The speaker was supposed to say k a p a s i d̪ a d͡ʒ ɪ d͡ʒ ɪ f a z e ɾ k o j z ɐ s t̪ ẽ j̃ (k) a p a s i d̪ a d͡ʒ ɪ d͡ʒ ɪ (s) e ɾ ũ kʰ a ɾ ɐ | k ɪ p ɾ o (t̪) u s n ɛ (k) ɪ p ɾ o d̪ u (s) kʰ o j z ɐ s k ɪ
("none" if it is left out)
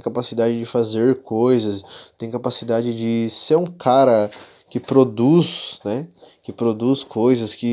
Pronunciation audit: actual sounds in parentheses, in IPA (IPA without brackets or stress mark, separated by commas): k, s, d̪, k, s